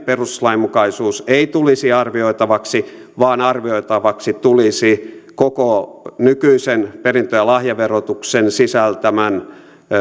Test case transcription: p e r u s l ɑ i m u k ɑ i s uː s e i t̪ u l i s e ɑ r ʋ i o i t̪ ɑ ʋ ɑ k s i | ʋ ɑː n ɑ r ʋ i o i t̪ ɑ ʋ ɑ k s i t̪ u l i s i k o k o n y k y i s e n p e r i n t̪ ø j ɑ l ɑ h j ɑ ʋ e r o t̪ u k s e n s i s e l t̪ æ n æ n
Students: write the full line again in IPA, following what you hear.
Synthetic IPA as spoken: p e r u s l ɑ i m u k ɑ i s uː s e i t̪ u l i s i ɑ r ʋ i o i t̪ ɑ ʋ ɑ k s i | ʋ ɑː n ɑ r ʋ i o i t̪ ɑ ʋ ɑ k s i t̪ u l i s i k o k o n y k y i s e n p e r i n t̪ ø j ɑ l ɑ h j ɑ ʋ e r o t̪ u k s e n s i s æ l t̪ æ m æ n

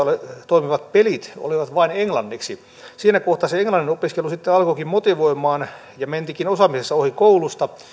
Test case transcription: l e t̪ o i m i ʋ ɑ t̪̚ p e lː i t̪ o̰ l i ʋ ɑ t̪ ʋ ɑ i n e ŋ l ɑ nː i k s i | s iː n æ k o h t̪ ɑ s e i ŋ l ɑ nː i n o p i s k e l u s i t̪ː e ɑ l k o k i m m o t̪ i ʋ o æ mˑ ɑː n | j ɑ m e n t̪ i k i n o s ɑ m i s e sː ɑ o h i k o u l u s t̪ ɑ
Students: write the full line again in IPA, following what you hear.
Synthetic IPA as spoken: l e t̪ o i m i ʋ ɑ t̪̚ p e l i t̪ o̰ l i ʋ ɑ t̪ ʋ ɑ i n e ŋ l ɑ nː i k s i | s iː n æ k o h t̪ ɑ s e e ŋ l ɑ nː i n o p i s k e l u s i t̪ː e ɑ l k o k i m m o t̪ i ʋ o i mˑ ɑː n | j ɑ m e n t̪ i k i n o s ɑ m i s e sː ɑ o h i k o u l u s t̪ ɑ

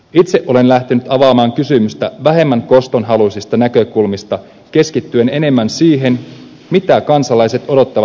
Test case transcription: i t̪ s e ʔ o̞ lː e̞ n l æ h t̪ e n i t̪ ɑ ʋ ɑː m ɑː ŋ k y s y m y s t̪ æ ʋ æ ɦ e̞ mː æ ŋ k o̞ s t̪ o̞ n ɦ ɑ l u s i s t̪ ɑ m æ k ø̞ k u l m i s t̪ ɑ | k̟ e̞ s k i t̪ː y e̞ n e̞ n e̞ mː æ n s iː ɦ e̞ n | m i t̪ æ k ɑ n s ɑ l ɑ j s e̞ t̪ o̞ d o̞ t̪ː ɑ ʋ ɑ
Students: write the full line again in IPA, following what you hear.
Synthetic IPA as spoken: i t̪ s e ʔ o̞ l e̞ n l æ h t̪ e n y t̪ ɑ ʋ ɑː m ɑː ŋ k y s y m y s t̪ æ ʋ æ ɦ e̞ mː æ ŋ k o̞ s t̪ o̞ n ɦ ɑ l u s i s t̪ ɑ n æ k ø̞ k u l m i s t̪ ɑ | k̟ e̞ s k i t̪ː y e̞ n e̞ n e̞ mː æ n s iː ɦ e̞ n | m i t̪ æ k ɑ n s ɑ l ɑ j s e̞ t̪ o̞ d o̞ t̪ː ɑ ʋ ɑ

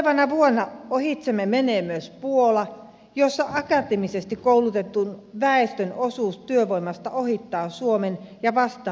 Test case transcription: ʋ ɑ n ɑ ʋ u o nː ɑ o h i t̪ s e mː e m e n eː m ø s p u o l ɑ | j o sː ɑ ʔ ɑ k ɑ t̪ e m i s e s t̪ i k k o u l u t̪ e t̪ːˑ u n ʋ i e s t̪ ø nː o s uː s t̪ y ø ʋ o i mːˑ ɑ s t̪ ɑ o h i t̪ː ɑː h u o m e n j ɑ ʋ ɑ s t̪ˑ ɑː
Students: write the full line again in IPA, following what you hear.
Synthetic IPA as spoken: ʋ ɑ n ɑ ʋ u o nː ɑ o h i t̪ s e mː e m e n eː m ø s p u o l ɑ | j o sː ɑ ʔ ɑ k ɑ t̪ e m i s e s t̪ i k k o u l u t̪ e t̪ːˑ u n ʋ æ e s t̪ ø n o s uː s t̪ y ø ʋ o i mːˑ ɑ s t̪ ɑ o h i t̪ː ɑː s u o m e n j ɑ ʋ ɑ s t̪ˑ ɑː

